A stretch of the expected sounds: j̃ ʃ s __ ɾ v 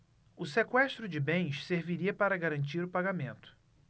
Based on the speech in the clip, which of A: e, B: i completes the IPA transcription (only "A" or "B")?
A